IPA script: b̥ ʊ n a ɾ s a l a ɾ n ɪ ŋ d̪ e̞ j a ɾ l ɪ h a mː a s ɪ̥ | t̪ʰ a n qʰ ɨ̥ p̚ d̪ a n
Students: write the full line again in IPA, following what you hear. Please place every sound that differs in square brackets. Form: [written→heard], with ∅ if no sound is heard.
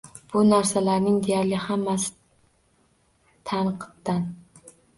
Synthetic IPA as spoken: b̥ ʊ n a ɾ s a l a ɾ n ɪ ŋ d̪ e̞ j a ɾ l ɪ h a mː a s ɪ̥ | t̪ʰ a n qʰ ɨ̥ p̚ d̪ a n